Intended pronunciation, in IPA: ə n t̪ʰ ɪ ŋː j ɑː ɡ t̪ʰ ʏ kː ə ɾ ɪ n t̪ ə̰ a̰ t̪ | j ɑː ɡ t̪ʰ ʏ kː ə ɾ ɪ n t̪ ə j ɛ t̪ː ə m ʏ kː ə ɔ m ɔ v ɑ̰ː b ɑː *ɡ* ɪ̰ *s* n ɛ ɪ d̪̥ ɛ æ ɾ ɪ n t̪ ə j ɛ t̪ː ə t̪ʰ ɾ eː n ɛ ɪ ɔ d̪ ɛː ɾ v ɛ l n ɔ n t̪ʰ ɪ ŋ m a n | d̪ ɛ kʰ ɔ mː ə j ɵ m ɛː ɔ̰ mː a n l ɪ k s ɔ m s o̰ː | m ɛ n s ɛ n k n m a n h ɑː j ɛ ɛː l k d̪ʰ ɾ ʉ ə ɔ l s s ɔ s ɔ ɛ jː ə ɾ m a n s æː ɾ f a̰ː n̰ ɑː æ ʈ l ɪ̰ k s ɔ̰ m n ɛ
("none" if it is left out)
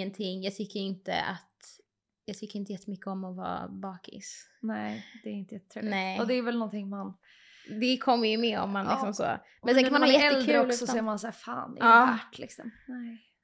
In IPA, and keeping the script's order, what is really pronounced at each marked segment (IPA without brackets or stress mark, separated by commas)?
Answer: k, s